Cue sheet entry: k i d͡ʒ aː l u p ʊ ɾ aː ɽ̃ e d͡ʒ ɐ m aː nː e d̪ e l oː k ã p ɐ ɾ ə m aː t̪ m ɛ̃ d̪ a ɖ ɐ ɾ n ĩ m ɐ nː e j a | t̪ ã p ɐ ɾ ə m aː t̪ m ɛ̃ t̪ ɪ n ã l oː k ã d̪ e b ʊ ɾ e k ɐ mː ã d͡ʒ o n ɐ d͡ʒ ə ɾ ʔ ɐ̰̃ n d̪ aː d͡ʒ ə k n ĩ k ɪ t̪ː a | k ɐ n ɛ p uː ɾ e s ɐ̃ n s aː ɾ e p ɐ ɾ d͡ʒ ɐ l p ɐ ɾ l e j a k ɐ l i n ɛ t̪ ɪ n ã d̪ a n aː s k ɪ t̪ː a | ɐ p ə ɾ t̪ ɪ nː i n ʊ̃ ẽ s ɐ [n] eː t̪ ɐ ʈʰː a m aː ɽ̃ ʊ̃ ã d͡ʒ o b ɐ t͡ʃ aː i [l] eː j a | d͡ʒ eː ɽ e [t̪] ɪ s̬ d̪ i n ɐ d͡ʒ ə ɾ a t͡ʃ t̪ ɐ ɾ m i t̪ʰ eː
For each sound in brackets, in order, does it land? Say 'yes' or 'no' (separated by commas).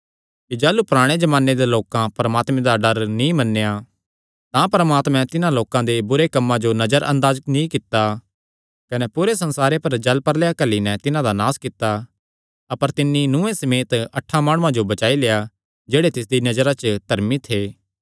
no, yes, yes